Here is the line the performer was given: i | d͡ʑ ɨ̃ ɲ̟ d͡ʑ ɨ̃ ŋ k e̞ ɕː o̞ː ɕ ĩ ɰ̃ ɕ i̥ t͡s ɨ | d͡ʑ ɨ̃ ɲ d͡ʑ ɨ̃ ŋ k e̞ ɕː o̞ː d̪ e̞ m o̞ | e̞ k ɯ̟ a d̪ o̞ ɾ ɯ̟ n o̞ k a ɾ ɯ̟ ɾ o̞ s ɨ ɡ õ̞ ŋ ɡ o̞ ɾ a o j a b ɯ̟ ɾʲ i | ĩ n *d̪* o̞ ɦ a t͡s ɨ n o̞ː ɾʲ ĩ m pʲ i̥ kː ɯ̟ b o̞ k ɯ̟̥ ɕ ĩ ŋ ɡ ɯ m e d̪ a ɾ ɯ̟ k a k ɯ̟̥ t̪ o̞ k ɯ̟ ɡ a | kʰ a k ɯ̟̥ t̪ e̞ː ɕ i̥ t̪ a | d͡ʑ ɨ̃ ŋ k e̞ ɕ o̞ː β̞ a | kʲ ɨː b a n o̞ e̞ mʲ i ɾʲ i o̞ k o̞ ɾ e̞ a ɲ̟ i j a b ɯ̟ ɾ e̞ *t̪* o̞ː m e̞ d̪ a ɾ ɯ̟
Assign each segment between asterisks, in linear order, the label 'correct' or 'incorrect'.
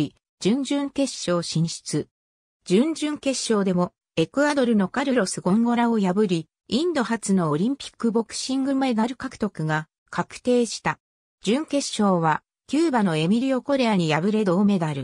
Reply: correct, incorrect

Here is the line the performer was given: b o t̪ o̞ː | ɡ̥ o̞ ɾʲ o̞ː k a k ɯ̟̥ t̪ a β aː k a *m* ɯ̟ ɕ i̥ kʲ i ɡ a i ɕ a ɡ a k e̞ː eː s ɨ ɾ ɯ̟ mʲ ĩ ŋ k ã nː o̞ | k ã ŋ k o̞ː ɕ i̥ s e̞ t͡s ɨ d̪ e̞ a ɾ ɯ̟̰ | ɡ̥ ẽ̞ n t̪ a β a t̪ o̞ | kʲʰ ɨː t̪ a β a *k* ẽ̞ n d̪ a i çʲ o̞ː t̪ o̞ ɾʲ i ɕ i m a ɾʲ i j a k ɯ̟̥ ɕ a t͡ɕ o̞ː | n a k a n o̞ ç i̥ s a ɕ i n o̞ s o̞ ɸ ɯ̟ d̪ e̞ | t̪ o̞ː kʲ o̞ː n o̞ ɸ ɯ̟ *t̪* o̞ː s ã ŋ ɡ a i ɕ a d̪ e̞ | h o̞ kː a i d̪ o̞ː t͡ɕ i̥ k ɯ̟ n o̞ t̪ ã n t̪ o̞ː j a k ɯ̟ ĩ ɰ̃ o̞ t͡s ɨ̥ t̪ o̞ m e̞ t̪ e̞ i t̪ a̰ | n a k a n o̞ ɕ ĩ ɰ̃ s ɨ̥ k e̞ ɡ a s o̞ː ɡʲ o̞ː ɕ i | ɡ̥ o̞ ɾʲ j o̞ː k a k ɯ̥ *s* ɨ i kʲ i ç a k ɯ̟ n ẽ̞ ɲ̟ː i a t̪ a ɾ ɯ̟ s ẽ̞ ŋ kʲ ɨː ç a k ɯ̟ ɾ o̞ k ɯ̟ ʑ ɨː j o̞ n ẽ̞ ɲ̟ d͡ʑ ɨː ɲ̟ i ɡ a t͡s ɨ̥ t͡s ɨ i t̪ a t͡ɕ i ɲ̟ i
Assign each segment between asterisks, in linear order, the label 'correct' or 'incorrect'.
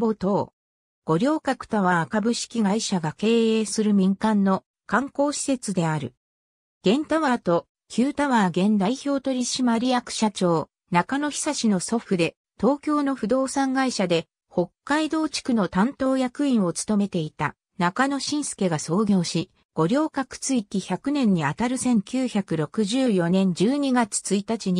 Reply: incorrect, incorrect, incorrect, incorrect

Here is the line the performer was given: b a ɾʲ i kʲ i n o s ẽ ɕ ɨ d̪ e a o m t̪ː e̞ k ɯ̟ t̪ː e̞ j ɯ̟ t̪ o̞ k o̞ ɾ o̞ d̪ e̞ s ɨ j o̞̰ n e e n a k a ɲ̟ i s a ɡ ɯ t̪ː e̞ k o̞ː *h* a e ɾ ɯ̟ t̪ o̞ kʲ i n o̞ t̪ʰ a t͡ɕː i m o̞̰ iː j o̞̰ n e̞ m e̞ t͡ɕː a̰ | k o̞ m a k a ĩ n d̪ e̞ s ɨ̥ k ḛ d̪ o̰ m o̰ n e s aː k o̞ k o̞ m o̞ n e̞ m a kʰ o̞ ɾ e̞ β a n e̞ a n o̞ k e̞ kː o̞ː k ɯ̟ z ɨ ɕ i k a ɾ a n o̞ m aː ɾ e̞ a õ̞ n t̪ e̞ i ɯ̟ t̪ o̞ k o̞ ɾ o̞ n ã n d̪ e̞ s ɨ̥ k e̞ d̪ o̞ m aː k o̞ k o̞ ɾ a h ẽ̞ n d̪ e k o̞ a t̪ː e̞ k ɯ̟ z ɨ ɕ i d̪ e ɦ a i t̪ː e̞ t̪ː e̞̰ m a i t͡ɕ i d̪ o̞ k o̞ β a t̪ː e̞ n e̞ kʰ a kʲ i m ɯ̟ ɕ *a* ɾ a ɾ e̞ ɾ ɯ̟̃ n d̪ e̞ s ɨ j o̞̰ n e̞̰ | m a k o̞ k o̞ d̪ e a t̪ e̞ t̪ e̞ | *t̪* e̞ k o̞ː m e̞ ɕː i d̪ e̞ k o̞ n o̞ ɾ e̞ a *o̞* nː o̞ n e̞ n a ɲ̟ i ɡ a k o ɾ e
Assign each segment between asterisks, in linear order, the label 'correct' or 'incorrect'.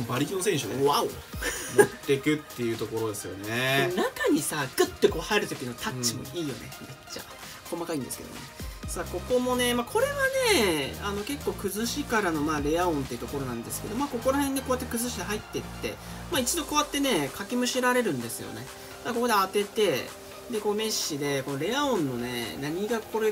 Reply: correct, incorrect, incorrect, incorrect

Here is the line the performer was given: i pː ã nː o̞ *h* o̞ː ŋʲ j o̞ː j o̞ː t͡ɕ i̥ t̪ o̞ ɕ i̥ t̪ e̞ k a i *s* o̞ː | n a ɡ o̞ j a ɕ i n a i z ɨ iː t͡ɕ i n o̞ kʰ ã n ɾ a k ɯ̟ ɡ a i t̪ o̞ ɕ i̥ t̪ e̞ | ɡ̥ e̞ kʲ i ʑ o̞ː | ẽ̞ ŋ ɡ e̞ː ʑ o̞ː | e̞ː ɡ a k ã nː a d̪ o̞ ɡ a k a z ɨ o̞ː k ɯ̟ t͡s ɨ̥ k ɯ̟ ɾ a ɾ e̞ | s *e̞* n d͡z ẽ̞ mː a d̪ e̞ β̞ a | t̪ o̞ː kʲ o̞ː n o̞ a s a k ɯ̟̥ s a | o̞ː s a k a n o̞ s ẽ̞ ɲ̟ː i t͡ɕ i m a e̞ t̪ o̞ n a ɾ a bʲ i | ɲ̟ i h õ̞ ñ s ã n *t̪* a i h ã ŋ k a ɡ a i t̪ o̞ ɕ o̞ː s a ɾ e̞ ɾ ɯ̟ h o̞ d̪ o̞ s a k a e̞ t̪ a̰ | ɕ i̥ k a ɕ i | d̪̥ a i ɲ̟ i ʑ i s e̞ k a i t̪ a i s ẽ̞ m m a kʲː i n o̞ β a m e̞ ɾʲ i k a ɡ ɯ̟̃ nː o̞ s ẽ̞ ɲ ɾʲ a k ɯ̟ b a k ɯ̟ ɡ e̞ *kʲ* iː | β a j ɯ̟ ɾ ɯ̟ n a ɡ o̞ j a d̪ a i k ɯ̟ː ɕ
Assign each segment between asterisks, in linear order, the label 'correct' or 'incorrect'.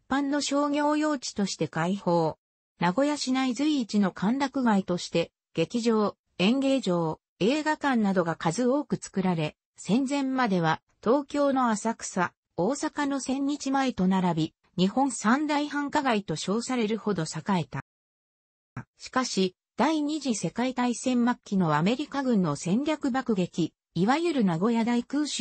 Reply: incorrect, incorrect, incorrect, incorrect, correct

